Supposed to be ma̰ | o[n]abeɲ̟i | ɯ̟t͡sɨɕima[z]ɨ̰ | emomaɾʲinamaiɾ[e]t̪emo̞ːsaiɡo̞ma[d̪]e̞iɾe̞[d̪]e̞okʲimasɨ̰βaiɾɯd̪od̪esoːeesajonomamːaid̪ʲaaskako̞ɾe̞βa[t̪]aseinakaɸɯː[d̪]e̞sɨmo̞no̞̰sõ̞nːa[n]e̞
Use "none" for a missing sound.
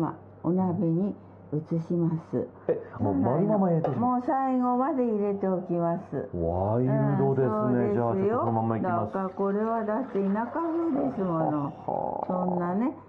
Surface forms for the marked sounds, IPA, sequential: n, s, e, d̪, t̪, d̪, d̪, n

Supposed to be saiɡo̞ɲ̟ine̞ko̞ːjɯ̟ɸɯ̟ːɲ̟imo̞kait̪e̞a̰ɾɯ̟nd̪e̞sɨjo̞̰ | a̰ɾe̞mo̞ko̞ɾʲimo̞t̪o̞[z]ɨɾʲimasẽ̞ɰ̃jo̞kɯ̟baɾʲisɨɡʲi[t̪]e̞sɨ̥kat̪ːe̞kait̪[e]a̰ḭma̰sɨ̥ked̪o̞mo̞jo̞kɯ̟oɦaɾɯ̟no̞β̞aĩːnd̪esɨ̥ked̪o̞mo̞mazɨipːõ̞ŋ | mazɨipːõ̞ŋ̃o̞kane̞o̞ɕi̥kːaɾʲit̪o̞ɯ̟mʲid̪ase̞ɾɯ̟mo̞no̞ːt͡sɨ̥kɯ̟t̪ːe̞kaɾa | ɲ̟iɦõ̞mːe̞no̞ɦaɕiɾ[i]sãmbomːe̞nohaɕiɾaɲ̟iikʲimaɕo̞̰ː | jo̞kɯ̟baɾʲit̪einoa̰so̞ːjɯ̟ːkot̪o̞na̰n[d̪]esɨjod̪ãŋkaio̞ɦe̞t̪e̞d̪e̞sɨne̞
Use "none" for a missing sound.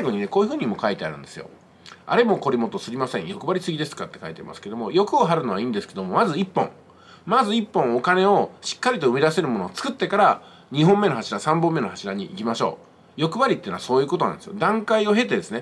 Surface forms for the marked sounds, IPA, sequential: s, d̪, e, a, d̪

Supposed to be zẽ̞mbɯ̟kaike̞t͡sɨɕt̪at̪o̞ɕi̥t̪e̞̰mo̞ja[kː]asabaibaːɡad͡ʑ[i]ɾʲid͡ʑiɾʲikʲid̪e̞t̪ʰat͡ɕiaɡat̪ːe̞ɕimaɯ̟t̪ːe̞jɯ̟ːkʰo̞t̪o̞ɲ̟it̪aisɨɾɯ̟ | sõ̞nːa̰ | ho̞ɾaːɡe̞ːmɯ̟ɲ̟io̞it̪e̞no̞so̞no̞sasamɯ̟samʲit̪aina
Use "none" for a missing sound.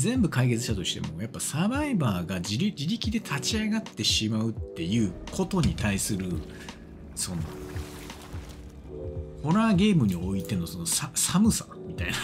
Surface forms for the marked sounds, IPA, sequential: pː, i

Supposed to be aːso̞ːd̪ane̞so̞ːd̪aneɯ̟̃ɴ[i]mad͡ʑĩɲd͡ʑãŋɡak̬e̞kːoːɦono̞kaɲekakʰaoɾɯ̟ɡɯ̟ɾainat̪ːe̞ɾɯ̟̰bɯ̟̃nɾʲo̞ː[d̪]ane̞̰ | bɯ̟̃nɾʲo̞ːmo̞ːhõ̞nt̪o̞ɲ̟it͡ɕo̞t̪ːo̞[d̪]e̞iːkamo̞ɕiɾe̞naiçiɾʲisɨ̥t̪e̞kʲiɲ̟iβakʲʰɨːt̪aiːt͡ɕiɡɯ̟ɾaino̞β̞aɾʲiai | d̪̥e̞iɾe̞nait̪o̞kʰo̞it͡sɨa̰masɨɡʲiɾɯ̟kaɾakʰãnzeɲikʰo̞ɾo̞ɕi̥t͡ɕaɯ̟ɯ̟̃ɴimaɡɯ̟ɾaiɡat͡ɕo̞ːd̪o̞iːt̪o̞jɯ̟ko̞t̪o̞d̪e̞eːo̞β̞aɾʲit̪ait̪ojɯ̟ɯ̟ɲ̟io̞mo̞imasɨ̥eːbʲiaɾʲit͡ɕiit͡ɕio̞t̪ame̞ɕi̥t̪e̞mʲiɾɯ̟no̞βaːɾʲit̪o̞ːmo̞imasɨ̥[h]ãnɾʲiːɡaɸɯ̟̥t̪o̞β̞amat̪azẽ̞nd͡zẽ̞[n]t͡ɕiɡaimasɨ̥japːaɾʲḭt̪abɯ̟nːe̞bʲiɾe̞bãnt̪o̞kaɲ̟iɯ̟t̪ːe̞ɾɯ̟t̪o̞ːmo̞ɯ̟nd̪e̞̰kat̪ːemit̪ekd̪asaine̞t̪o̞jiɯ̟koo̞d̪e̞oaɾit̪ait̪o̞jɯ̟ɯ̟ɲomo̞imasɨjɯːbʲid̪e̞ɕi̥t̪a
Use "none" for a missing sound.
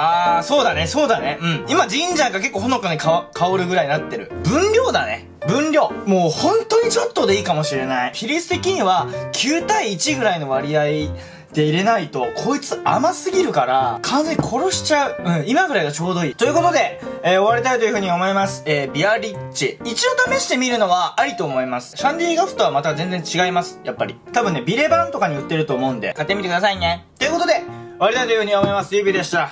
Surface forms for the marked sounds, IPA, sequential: i, d̪, d̪, ɕ, ɲ

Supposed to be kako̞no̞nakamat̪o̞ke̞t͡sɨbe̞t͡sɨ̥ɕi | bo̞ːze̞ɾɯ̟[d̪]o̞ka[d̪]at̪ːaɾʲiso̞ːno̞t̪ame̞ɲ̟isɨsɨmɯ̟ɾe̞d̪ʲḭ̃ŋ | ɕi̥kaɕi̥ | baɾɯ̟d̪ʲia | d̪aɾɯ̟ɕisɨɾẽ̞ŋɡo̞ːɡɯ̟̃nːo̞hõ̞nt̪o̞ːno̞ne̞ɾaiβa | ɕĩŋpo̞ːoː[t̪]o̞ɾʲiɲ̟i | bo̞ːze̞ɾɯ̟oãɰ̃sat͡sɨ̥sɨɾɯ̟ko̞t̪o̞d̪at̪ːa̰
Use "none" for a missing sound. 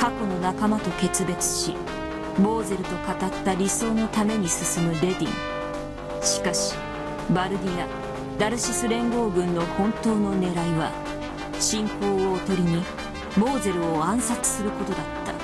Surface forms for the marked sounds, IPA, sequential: t̪, t̪, t̪

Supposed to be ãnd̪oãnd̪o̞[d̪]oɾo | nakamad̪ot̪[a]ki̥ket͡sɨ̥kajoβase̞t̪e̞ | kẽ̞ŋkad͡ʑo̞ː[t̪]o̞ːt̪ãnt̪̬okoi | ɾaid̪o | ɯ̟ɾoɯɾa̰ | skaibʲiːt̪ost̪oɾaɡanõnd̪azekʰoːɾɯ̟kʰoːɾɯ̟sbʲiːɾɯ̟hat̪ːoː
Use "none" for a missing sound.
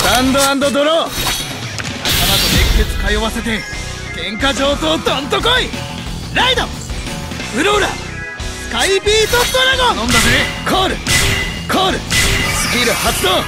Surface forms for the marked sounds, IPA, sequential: d̪, e, t̪

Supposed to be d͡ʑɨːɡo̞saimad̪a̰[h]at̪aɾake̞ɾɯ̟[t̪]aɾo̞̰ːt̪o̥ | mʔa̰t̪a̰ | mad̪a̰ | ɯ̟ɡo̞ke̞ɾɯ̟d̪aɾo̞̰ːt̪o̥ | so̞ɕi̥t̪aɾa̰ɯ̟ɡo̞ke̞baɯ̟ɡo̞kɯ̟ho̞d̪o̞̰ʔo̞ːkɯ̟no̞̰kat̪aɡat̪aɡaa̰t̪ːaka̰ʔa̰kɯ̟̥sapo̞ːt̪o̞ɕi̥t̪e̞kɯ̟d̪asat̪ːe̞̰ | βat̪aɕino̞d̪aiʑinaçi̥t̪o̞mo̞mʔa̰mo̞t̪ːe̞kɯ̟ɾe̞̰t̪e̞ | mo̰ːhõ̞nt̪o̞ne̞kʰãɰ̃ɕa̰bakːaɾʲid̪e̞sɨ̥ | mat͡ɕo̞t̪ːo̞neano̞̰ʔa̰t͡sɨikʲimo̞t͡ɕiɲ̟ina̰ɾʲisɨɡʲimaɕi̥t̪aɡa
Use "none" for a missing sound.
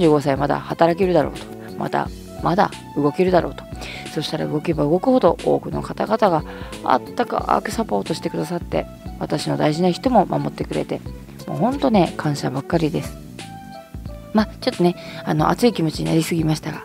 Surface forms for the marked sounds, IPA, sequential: h, d̪

